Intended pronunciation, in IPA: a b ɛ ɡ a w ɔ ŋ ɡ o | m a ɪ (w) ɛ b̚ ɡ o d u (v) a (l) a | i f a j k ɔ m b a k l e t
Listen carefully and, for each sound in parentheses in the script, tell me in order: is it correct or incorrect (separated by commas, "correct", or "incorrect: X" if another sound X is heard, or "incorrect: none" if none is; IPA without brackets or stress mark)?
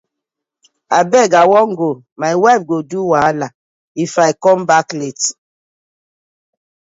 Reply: correct, incorrect: w, correct